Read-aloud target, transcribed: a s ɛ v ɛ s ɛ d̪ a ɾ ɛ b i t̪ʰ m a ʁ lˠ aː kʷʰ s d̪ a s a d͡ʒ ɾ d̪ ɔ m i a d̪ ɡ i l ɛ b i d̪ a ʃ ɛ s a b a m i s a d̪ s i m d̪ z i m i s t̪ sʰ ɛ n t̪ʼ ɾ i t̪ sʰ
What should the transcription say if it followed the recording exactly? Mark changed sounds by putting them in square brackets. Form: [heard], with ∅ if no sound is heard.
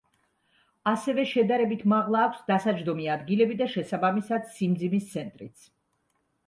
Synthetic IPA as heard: a s ɛ v ɛ [ʃ] ɛ d̪ a ɾ ɛ b i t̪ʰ m a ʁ lˠ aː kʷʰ s d̪ a s a d͡ʒ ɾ d̪ ɔ m i a d̪ ɡ i l ɛ b i d̪ a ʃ ɛ s a b a m i s a d̪ s i m d̪ z i m i s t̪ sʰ ɛ n t̪ʼ ɾ i t̪ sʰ

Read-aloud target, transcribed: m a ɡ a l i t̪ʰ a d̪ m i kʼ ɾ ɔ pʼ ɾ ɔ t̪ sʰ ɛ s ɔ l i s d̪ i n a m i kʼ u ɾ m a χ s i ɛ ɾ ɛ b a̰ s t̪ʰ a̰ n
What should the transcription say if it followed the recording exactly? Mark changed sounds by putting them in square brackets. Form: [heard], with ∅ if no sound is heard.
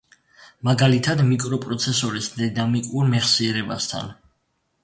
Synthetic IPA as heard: m a ɡ a l i t̪ʰ a d̪ m i kʼ ɾ ɔ pʼ ɾ ɔ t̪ sʰ ɛ s ɔ [ɾ] i s d̪ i n a m i kʼ u ɾ m [ɛ] χ s i ɛ ɾ ɛ b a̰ s t̪ʰ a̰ n

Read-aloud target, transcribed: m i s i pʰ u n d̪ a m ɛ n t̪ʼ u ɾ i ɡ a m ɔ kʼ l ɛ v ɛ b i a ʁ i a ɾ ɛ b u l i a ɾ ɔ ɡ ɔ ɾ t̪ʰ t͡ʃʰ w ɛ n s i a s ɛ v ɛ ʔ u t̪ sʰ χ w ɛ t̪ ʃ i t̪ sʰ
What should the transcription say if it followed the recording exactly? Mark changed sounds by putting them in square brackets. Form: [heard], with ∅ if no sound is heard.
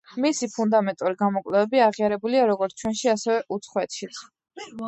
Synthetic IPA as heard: m i s i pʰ u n d̪ a m ɛ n t̪ʼ u ɾ i ɡ a m ɔ kʼ l ɛ v ɛ b i a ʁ i a ɾ ɛ b u l i a ɾ ɔ ɡ ɔ ɾ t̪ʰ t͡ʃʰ w ɛ n [ʃ] i a s ɛ v ɛ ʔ u t̪ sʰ χ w ɛ t̪ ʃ i t̪ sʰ

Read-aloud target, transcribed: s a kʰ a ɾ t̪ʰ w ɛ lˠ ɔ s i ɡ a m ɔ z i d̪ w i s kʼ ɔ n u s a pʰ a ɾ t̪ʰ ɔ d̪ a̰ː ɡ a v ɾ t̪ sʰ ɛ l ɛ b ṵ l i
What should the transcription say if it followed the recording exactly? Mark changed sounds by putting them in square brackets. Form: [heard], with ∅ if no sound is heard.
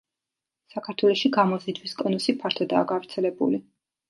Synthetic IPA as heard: s a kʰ a ɾ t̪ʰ w ɛ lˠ ɔ [ʃ] i ɡ a m ɔ z i d̪ w i s kʼ ɔ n u s [i] pʰ a ɾ t̪ʰ ɔ d̪ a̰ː ɡ a v ɾ t̪ sʰ ɛ l ɛ b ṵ l i

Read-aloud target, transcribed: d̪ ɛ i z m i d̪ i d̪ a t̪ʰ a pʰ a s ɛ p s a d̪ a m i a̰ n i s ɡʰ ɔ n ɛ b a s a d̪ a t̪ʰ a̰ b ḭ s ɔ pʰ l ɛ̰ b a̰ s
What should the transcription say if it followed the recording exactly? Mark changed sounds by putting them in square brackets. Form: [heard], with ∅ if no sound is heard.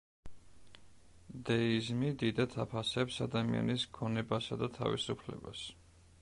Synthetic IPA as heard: d̪ ɛ i z m i d̪ i d̪ a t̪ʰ a pʰ a s ɛ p s a d̪ a m i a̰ n i s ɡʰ ɔ n ɛ b a s a d̪ a t̪ʰ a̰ [v] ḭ s [u] pʰ l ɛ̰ b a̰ s

